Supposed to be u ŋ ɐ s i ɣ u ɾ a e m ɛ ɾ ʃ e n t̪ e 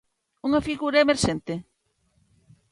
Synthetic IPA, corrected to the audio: u ŋ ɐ f i ɣ u ɾ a e m e ɾ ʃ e n t̪ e